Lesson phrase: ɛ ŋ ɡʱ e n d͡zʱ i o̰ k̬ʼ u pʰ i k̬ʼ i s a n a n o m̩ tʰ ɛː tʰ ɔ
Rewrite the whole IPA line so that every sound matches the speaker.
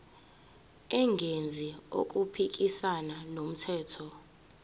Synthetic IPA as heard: ɛ ŋ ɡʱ e n d͡zʱ i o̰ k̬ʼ u pʰ i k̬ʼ i s a n a n o m̩ tʰ ɛː tʰ ɔ